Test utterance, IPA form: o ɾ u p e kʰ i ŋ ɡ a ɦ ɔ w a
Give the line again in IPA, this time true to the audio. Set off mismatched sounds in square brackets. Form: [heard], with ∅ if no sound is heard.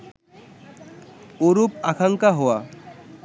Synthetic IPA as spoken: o ɾ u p [a] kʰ [a] ŋ [k] a ɦ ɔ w a